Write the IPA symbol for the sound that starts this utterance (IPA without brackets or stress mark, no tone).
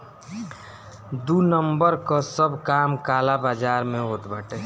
d̪